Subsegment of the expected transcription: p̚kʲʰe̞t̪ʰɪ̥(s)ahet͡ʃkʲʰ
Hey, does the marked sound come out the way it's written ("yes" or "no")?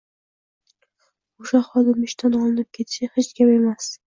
no